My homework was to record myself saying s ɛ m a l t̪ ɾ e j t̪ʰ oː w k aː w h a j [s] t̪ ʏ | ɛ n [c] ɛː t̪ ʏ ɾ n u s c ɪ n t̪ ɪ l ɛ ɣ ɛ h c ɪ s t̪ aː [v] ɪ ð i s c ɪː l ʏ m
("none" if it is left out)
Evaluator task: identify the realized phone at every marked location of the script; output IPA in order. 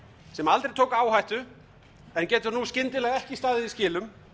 h, c, ð

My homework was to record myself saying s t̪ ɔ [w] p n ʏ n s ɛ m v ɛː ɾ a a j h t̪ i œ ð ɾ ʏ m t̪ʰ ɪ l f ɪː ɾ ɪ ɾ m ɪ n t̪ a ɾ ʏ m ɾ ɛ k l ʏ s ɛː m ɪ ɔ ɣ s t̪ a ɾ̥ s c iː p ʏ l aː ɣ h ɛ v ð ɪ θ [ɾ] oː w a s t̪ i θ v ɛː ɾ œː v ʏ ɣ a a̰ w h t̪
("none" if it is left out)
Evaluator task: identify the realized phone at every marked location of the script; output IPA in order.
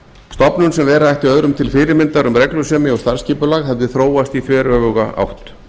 none, ɾ

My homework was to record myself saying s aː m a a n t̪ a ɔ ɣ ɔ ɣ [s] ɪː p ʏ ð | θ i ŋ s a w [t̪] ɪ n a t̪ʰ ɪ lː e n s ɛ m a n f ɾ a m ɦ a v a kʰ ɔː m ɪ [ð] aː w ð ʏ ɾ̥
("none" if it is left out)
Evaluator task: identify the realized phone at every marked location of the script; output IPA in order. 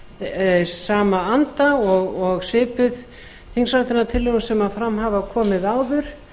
s, t̪, ð

